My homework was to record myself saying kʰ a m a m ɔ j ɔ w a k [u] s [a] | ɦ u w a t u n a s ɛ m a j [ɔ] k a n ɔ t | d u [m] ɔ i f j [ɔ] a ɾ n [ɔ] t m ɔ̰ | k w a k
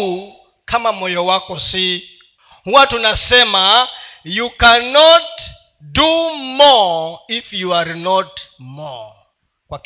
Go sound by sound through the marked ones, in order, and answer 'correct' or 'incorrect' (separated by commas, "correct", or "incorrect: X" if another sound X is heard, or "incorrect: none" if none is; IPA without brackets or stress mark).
incorrect: ɔ, incorrect: i, incorrect: u, correct, incorrect: u, correct